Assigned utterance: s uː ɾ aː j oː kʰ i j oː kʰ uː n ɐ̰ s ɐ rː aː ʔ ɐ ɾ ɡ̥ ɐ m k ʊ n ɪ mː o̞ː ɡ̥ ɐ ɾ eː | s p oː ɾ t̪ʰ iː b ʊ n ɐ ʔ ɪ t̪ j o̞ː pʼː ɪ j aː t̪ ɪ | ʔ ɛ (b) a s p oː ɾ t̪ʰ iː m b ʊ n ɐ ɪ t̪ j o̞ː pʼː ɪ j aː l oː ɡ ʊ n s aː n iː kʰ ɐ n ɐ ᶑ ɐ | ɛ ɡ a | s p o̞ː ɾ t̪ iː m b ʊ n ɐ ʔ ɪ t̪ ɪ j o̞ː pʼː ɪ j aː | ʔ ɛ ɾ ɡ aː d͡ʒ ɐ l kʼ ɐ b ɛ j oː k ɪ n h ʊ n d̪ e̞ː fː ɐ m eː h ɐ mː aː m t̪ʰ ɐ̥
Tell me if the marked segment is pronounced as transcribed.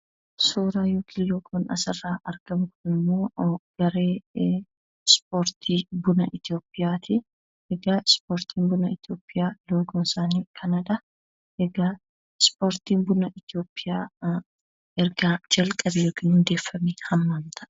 no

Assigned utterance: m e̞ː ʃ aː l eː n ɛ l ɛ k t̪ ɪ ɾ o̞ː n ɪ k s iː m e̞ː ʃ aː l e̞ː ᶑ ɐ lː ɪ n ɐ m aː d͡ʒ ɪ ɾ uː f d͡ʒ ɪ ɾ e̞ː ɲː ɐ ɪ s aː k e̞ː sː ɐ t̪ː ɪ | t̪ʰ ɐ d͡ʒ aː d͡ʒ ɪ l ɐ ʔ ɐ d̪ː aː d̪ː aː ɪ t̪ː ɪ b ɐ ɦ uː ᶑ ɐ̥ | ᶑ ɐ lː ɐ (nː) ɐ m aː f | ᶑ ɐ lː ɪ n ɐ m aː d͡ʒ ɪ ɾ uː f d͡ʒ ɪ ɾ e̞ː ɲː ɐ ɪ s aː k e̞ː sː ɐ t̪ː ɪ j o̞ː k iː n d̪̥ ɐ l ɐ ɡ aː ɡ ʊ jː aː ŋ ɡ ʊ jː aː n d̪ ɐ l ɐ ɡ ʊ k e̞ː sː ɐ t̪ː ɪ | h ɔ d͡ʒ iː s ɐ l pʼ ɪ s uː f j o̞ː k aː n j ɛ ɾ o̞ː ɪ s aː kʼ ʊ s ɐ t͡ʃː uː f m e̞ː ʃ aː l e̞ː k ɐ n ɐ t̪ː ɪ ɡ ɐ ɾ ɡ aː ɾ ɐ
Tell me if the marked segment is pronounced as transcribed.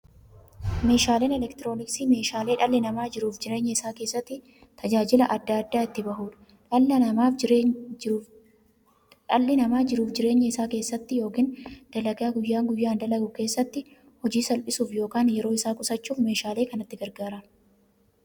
no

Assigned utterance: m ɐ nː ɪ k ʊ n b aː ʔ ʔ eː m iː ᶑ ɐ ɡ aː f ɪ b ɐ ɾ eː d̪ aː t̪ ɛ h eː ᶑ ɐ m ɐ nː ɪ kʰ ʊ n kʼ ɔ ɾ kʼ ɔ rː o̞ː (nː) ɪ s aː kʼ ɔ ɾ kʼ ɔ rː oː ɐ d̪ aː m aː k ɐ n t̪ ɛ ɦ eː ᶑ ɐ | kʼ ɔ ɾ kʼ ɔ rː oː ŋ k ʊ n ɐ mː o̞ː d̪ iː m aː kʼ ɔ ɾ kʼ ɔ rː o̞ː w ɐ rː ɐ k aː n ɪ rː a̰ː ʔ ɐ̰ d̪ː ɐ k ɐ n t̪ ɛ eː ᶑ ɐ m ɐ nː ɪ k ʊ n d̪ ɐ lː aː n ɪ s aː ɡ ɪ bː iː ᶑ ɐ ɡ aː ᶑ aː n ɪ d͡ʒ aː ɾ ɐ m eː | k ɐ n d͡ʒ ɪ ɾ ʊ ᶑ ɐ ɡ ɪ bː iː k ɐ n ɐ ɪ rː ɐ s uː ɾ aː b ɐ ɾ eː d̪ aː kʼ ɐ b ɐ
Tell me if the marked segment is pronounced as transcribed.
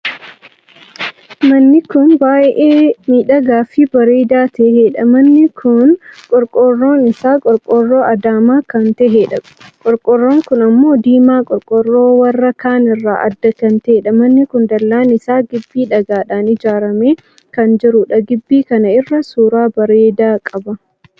no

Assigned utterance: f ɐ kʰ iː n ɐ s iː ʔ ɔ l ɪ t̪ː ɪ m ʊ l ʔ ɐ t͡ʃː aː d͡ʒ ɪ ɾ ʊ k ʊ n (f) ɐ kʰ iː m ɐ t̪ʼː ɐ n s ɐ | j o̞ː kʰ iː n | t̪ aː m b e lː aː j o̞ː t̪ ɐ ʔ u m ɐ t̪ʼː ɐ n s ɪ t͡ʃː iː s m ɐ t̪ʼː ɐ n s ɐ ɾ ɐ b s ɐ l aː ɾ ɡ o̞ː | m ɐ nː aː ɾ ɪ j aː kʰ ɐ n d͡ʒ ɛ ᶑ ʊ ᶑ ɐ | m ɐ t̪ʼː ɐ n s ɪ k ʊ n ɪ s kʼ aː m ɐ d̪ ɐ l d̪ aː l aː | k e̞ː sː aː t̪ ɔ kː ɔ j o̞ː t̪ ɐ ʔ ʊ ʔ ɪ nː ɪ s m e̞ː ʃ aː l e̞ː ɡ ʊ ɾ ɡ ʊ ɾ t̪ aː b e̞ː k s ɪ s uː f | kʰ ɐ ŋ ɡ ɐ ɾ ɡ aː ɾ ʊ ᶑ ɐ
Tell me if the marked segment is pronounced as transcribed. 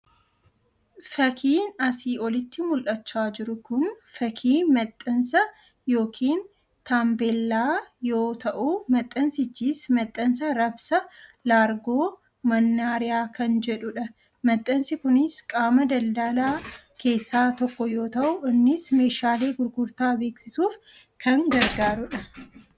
yes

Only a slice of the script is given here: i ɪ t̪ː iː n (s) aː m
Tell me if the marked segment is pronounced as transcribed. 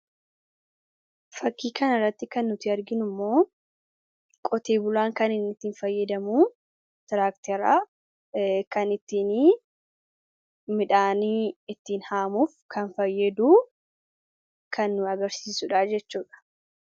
no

